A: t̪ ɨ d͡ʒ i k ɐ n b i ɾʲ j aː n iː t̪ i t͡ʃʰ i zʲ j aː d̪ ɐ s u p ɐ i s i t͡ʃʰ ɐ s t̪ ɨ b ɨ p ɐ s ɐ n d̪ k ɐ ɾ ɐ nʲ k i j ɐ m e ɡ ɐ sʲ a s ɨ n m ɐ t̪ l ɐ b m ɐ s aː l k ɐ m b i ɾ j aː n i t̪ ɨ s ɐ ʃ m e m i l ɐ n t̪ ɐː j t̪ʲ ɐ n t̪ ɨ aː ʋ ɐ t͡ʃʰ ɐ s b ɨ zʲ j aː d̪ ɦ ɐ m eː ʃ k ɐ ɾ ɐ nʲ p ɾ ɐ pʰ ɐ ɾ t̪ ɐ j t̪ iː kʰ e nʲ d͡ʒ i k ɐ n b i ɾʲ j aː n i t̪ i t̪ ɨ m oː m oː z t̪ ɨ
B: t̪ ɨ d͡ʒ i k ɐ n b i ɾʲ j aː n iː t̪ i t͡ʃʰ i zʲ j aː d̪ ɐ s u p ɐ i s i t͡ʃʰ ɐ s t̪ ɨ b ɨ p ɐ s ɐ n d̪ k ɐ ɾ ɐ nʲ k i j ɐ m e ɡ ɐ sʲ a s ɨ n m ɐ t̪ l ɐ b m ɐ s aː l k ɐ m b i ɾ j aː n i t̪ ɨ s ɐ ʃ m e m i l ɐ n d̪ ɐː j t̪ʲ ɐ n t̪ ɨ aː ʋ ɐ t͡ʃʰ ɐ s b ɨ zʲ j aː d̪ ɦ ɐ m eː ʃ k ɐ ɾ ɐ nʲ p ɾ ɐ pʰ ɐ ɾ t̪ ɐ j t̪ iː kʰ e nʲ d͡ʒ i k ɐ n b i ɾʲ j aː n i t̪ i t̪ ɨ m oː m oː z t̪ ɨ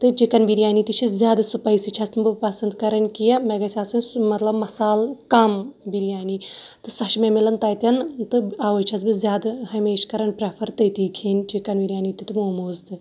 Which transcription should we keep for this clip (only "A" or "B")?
A